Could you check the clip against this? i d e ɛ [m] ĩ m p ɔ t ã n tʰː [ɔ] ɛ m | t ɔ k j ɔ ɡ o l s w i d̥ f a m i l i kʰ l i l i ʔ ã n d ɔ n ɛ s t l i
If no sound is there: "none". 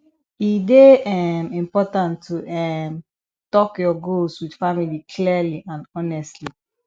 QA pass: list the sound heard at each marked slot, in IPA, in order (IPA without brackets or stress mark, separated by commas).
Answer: m, u